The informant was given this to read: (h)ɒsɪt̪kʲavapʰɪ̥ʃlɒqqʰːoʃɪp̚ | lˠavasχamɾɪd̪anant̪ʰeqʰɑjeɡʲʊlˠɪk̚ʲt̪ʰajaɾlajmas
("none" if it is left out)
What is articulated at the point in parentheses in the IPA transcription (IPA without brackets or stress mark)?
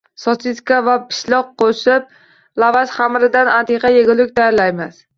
s